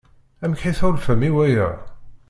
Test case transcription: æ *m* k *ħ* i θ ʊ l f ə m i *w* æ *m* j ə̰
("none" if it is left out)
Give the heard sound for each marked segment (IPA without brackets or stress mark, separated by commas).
m, ħ, w, none